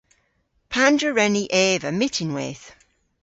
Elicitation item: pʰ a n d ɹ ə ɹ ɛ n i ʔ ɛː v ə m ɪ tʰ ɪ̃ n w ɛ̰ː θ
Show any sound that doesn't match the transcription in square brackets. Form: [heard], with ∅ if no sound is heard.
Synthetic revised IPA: pʰ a n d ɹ ə ɹ ɛ n i ʔ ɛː v ə m ɪ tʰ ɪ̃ n w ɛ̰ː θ